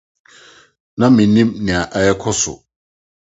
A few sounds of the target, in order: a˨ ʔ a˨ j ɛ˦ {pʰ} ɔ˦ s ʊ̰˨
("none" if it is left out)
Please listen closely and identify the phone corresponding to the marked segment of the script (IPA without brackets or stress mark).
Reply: kʰ